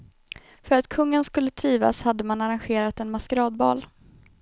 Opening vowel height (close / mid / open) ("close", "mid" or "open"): mid